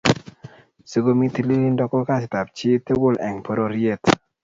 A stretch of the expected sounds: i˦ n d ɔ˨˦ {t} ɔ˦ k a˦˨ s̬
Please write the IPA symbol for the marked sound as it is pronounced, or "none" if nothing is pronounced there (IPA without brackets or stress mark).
k